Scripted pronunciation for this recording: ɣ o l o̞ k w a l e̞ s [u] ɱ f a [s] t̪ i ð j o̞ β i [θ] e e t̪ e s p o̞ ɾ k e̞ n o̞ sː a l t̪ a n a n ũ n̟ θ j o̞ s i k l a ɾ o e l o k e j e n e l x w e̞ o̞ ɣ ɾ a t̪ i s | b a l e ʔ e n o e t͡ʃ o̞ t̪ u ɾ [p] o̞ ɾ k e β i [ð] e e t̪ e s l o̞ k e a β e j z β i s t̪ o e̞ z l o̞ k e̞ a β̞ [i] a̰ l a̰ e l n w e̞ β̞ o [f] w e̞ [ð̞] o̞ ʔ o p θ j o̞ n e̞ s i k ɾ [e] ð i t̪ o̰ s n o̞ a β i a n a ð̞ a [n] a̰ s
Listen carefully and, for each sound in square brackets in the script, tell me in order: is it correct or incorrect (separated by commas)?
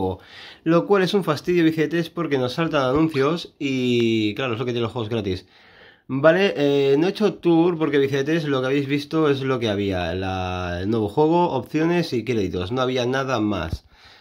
correct, correct, correct, correct, incorrect, correct, incorrect, incorrect, correct, incorrect